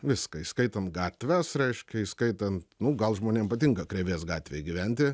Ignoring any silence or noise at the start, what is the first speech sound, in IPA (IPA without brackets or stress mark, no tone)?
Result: ʋʲ